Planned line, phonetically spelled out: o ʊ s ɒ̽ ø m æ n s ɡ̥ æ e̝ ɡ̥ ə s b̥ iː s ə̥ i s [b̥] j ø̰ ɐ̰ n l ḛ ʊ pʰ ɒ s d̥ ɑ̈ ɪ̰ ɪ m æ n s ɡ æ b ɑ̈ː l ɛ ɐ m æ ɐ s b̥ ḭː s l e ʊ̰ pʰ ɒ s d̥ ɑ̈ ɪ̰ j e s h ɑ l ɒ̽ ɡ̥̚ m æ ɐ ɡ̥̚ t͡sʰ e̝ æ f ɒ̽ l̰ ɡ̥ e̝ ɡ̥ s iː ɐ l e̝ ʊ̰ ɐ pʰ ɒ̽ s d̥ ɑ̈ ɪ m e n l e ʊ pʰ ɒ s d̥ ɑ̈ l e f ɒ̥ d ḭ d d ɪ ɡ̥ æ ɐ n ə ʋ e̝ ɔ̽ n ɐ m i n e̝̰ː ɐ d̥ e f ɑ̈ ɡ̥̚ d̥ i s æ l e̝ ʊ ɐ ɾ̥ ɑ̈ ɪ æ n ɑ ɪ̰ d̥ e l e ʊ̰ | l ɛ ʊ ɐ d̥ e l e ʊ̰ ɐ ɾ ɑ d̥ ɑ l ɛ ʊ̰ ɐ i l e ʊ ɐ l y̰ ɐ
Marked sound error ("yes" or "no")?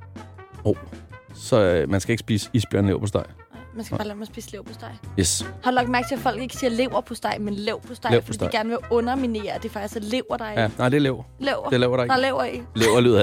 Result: no